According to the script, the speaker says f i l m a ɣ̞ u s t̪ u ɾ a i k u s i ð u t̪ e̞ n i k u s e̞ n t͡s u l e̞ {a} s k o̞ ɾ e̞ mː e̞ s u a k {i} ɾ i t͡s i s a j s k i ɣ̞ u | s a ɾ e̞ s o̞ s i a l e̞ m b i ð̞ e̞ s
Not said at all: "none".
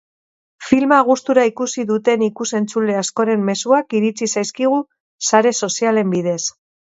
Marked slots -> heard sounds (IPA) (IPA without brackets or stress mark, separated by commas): a, i